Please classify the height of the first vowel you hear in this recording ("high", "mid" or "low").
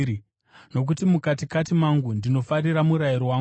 mid